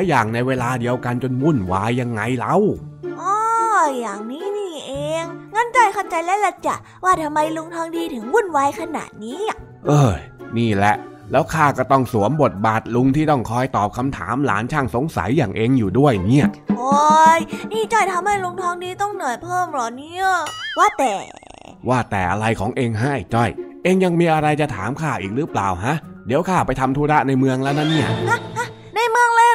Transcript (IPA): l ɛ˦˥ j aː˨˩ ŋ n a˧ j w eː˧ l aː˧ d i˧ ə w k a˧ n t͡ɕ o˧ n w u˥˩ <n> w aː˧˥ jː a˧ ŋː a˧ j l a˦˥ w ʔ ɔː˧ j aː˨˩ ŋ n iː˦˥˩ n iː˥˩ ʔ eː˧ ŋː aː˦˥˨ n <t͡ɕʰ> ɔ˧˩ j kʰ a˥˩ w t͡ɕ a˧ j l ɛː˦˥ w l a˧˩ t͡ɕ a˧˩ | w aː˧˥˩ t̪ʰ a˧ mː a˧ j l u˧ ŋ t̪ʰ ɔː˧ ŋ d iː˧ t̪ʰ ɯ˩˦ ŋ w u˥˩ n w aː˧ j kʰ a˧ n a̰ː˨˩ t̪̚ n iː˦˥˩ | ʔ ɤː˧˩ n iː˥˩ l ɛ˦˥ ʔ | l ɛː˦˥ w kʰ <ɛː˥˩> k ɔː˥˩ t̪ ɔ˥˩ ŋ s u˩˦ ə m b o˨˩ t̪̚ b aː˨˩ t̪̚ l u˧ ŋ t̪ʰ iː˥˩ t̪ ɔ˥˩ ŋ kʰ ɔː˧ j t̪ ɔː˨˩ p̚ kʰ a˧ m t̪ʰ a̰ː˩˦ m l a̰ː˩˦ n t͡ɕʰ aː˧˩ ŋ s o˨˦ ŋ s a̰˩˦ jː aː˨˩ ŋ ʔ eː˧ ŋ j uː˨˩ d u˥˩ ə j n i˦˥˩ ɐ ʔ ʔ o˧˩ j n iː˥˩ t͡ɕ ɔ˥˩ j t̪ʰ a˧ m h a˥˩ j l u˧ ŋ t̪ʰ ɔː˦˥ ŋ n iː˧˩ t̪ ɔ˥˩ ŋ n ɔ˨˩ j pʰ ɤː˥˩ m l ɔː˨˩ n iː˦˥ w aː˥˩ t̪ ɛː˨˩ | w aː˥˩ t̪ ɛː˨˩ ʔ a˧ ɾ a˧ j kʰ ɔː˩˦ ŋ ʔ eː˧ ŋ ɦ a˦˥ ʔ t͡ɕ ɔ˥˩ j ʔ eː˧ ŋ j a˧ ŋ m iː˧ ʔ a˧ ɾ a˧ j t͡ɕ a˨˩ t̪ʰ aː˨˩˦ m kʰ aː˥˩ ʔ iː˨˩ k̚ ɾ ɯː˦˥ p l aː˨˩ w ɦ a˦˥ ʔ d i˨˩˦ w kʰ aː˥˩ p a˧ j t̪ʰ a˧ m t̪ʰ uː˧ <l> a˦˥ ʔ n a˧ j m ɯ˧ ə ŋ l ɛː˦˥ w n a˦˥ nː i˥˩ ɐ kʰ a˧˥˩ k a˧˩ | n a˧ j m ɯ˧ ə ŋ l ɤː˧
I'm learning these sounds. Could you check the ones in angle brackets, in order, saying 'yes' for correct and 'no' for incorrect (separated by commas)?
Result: yes, no, no, no